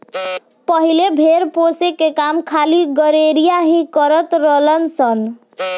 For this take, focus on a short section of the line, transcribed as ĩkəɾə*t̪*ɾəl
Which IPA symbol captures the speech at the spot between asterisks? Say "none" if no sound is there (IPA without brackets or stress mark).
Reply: t̪